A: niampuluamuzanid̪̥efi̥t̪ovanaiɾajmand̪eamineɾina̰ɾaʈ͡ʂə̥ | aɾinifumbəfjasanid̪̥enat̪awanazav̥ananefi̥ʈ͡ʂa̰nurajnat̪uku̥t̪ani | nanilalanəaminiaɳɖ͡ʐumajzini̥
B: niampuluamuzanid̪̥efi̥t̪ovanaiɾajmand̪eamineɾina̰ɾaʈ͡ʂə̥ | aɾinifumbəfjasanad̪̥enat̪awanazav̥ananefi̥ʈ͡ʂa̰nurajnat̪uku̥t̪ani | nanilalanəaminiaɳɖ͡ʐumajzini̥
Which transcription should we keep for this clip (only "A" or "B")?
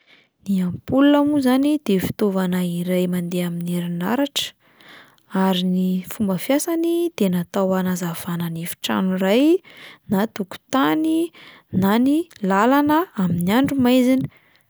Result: A